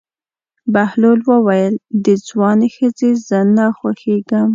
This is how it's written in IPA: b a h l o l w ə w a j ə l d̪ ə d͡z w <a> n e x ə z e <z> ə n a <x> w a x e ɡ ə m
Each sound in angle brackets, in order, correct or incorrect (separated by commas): incorrect, correct, correct